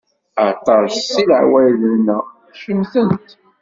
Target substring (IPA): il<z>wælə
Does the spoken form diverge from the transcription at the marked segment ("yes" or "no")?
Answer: yes